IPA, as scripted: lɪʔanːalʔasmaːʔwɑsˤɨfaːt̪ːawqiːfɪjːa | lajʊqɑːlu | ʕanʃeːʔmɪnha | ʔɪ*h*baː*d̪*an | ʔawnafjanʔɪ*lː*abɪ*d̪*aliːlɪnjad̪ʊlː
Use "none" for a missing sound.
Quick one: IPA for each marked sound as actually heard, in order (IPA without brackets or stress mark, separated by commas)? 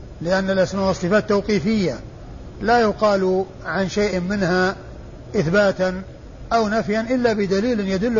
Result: θ, t̪, lː, d̪